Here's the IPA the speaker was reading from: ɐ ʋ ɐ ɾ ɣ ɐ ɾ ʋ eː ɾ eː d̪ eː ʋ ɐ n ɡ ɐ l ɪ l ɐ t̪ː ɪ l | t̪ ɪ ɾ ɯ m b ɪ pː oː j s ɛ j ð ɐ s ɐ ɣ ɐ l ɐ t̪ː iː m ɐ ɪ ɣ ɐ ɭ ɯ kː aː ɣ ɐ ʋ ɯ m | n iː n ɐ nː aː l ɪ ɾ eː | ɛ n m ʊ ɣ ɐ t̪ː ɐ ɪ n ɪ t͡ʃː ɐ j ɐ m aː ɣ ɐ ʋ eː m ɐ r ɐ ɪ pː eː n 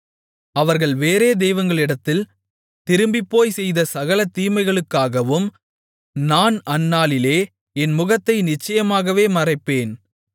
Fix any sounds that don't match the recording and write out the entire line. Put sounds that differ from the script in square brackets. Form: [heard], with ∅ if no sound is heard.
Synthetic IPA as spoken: ɐ ʋ ɐ ɾ ɣ ɐ [ɭ] ʋ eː ɾ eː d̪ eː ʋ ɐ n ɡ ɐ [ɭ] ɪ [ɽ] ɐ t̪ː ɪ l | t̪ ɪ ɾ ɯ m b ɪ pː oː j s ɛ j ð ɐ s ɐ ɣ ɐ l ɐ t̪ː iː m ɐ ɪ ɣ ɐ ɭ ɯ kː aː ɣ ɐ ʋ ɯ m | n [aː] n ɐ nː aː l ɪ [l] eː | ɛ n m ʊ ɣ ɐ t̪ː ɐ ɪ n ɪ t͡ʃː ɐ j ɐ m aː ɣ ɐ ʋ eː m ɐ r ɐ ɪ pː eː n